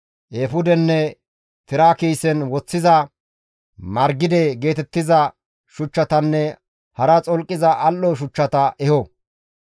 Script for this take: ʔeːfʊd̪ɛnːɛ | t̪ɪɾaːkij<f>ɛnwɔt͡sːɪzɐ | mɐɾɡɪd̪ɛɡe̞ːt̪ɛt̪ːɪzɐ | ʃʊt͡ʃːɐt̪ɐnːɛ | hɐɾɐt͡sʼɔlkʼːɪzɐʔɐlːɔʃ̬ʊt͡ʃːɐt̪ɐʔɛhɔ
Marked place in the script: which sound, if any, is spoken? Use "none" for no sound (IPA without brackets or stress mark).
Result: s